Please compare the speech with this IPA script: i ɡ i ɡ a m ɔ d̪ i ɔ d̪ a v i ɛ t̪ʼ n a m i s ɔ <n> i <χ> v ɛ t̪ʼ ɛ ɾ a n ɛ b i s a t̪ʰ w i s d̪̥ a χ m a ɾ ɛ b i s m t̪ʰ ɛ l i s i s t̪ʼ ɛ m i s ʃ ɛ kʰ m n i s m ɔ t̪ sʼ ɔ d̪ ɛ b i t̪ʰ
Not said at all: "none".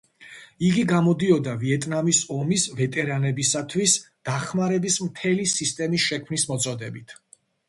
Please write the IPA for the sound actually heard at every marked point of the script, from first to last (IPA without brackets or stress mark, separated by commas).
m, s